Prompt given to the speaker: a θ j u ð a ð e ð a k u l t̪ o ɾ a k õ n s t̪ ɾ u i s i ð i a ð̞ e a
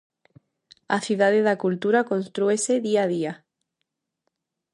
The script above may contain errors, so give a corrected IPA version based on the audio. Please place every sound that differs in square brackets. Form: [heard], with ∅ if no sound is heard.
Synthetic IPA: a θ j u ð a ð e ð a k u l t̪ [u] ɾ a k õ n s t̪ ɾ u [e] s [e] ð i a ð̞ [i] a